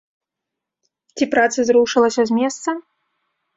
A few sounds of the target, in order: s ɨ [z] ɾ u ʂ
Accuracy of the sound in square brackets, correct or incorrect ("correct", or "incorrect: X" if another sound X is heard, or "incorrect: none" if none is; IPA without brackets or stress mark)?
correct